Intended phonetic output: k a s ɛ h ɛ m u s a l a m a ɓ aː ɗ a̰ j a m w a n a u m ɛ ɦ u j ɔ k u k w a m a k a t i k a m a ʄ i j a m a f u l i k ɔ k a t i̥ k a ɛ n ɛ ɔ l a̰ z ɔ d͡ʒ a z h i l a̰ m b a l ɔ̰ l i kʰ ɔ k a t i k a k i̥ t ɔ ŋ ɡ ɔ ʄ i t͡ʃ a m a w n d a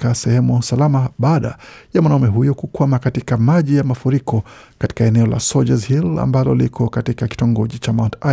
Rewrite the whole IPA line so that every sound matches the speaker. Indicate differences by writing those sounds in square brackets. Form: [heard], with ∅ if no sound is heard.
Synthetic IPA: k a s ɛ h ɛ m u s a l a m a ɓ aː ɗ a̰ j a m w a n a u m ɛ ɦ u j ɔ k u k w a m a k a t i k a m a ʄ i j a m a f u [ɾ] i k ɔ k a t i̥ k a ɛ n ɛ ɔ l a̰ [s] ɔ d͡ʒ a z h i l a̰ m b a l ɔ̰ l i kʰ ɔ k a t i k a k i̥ t ɔ ŋ ɡ ɔ ʄ i t͡ʃ a m a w n [t] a